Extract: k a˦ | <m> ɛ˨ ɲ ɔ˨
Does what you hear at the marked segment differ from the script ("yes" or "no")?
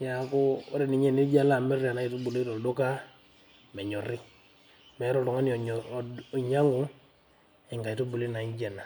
no